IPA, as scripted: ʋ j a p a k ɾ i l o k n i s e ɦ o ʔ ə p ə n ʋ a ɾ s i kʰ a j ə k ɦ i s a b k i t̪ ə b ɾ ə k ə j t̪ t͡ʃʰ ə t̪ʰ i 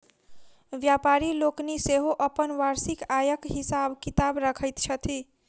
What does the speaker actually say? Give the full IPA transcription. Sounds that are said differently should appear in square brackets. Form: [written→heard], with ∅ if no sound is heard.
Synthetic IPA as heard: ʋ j a p a [k→∅] ɾ i l o k n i s e ɦ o ʔ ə p ə n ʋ a ɾ s i [kʰ→k] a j ə k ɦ i s a b k i t̪ [ə→a] b ɾ ə [k→kʰ] ə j t̪ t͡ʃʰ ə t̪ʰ i